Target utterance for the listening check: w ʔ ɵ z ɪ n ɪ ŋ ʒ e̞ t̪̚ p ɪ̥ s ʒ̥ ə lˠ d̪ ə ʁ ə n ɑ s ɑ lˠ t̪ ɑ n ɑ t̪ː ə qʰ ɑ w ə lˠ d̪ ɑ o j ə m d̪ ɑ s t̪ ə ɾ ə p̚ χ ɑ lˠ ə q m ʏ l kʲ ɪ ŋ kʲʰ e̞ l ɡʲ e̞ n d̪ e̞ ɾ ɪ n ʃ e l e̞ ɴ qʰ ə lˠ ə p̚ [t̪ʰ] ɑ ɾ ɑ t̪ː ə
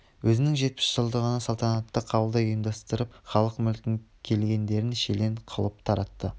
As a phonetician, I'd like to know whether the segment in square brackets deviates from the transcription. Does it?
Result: no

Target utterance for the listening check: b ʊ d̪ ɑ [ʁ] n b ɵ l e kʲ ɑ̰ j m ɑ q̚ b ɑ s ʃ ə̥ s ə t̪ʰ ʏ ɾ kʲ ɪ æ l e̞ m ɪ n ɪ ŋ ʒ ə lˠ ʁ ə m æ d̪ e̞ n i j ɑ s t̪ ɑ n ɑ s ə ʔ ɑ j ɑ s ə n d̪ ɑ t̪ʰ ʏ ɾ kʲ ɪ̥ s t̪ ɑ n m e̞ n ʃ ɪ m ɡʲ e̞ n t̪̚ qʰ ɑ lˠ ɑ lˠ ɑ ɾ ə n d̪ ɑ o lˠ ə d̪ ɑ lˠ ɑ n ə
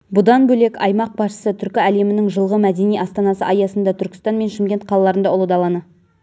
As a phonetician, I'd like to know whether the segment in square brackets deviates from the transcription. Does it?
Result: yes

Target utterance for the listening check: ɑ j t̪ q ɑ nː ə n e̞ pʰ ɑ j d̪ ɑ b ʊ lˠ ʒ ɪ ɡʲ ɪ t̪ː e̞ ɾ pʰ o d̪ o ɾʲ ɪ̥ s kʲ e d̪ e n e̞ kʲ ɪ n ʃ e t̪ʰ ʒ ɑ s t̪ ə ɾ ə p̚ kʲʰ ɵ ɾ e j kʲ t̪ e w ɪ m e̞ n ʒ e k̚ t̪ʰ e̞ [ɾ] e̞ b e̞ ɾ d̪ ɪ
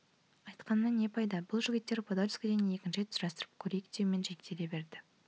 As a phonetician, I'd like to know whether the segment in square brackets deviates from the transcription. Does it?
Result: yes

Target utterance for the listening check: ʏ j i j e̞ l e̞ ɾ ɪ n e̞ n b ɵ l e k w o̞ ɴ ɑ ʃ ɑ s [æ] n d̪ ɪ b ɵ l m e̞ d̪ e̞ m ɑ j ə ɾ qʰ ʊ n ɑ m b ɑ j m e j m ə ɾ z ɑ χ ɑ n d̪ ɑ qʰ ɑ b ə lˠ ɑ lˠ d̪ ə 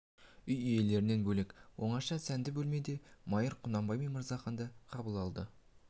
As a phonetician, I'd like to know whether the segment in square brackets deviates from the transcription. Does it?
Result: no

